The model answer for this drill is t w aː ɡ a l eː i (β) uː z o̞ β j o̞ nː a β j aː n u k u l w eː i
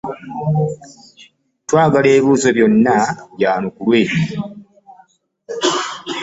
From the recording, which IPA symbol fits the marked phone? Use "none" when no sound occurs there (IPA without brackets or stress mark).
β